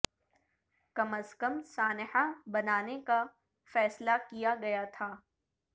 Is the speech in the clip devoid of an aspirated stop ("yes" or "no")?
no